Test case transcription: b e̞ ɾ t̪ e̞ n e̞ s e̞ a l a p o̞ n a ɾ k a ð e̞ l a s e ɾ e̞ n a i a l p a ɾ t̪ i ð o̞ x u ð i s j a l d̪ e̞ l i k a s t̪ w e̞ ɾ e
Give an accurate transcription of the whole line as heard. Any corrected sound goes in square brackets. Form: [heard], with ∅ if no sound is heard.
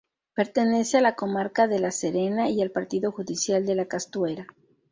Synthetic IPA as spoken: [p] e̞ ɾ t̪ e̞ n e̞ s e̞ a l a [k] o̞ [m] a ɾ k a ð e̞ l a s e ɾ e̞ n a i a l p a ɾ t̪ i ð o̞ x u ð i s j a l d̪ e̞ l [a] k a s t̪ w e̞ ɾ [a]